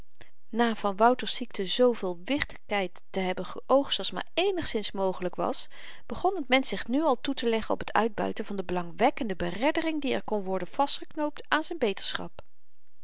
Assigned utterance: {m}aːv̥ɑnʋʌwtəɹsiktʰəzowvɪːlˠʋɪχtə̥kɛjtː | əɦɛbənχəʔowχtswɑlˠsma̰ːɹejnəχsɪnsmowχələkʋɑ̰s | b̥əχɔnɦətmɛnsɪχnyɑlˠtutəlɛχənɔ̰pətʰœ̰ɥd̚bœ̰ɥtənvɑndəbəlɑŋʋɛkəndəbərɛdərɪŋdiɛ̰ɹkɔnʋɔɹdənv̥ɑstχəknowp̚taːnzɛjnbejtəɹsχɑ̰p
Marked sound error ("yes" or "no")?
yes